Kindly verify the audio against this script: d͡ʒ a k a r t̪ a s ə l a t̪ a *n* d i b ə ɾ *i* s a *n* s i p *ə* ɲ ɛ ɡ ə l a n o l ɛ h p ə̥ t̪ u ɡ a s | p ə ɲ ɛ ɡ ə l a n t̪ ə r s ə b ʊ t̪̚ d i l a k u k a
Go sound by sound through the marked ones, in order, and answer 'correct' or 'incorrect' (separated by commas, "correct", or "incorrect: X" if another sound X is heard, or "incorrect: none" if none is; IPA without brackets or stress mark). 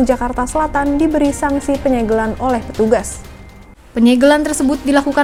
correct, correct, incorrect: ŋ, correct